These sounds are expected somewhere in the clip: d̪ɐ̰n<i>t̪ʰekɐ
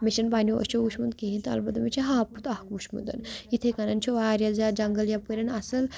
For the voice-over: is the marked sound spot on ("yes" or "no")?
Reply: yes